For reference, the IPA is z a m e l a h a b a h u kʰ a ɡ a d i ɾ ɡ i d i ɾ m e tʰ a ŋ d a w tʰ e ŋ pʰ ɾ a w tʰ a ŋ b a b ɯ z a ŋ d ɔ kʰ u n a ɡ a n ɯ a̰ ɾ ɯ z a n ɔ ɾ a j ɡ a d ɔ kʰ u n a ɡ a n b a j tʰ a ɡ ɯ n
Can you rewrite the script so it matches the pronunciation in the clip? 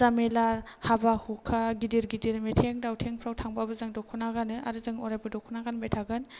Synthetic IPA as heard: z a m e l a h a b a h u kʰ a ɡ i d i ɾ ɡ i d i ɾ m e tʰ e ŋ d a w tʰ e ŋ pʰ ɾ a w tʰ a ŋ b a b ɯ z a ŋ d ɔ kʰ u n a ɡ a n ɯ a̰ ɾ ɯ z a ŋ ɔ ɾ a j b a d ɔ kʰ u n a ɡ a n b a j tʰ a ɡ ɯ n